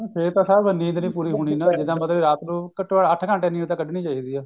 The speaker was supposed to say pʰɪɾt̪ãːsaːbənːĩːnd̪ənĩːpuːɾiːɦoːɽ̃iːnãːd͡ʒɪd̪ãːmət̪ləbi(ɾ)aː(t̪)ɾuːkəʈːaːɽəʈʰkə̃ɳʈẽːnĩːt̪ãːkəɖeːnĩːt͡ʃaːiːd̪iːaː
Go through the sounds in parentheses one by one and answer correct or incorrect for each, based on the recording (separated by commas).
correct, correct